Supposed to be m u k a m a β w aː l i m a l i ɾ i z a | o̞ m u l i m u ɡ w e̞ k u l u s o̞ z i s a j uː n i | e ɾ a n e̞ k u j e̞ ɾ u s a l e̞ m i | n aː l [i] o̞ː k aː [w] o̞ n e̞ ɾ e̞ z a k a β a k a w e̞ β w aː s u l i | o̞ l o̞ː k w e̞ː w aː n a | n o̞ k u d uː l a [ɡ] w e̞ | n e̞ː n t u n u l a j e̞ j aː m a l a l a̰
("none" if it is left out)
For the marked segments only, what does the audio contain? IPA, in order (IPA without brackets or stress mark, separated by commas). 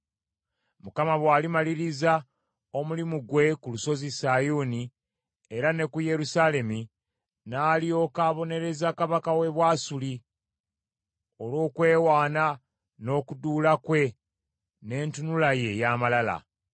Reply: i, β, k